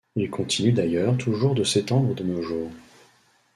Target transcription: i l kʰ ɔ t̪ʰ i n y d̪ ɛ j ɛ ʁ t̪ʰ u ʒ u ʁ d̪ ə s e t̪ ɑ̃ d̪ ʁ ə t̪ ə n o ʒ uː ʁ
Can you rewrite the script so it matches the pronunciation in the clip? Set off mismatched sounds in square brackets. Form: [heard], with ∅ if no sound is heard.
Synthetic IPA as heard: i l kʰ [ɔ̃] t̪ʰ i n y d̪ [a] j [œ] ʁ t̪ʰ u ʒ u ʁ d̪ ə s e t̪ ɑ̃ d̪ ʁ ə [d̪] ə n o ʒ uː ʁ